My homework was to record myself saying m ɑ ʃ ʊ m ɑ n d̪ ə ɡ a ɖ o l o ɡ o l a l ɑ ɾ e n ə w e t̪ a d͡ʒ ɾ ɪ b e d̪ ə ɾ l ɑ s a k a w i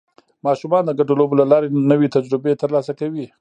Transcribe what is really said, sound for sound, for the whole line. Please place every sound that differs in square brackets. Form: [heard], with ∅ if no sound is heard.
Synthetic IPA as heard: m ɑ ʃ [u] m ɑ n d̪ ə ɡ a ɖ o l o [b] o l a l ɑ ɾ e n ə w e t̪ a d͡ʒ ɾ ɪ b e [t̪] ə ɾ l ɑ s a k a w i